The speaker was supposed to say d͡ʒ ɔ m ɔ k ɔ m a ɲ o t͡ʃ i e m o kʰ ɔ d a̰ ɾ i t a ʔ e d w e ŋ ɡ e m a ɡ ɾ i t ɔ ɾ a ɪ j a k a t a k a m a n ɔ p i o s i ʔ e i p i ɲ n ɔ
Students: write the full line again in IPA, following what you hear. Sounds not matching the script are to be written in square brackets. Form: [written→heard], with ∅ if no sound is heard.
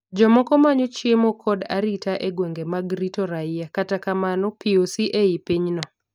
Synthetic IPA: d͡ʒ ɔ m ɔ k ɔ m a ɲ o t͡ʃ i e m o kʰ ɔ d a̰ ɾ i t a ʔ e [d→ɡ] w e ŋ ɡ e m a ɡ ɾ i t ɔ ɾ a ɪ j a k a t a k a m a n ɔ p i o s i ʔ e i p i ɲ n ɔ